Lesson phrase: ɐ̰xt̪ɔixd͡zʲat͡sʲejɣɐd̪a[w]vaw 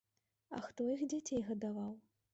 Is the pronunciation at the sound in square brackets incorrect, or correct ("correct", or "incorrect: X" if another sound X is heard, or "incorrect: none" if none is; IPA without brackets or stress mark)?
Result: incorrect: none